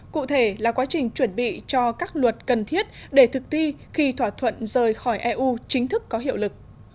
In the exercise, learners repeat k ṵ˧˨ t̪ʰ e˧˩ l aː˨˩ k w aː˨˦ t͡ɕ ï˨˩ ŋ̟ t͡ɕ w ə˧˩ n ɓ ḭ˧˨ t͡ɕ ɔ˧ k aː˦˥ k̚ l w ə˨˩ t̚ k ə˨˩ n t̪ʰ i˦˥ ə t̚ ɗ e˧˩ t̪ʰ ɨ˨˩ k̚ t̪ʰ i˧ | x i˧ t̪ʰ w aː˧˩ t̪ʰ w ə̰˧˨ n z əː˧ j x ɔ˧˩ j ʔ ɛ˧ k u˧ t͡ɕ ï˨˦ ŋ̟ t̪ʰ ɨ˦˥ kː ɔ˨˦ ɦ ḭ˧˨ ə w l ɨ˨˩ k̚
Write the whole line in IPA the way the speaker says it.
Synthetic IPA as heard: k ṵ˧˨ t̪ʰ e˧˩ l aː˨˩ k w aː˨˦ t͡ɕ ï˨˩ ŋ̟ t͡ɕ w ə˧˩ n ɓ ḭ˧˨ t͡ɕ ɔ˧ k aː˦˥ k̚ l w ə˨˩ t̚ k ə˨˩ n t̪ʰ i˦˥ ə t̚ ɗ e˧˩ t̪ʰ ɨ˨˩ k̚ t̪ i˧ | x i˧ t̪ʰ w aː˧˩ t̪ʰ w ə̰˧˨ n z əː˨˩ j x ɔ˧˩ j ʔ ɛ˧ ʔ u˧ t͡ɕ ï˨˦ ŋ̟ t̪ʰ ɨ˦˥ kː ɔ˨˦ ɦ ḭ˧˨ ə w l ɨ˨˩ k̚